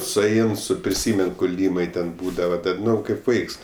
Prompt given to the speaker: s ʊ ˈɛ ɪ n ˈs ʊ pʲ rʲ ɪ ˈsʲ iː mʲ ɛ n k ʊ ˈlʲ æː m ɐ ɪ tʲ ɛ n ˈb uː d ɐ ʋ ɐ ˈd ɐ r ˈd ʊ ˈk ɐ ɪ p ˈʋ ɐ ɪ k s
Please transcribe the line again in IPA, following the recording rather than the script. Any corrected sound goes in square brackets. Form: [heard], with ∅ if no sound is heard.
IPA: s ʊ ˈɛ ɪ n ˈs ʊ pʲ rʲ ɪ ˈsʲ iː mʲ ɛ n k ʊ ˈlʲ [iː] m ɐ ɪ tʲ ɛ n ˈb uː d ɐ ʋ ɐ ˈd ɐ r [ˈn] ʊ ˈk ɐ ɪ p ˈʋ ɐ ɪ k s